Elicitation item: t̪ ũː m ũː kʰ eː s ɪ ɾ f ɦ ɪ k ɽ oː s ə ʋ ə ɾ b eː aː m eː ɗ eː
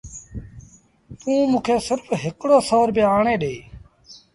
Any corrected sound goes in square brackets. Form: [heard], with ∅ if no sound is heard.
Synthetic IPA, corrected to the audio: t̪ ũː m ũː kʰ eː s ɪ ɾ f ɦ ɪ k ɽ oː s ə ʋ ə ɾ b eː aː [ɳ] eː ɗ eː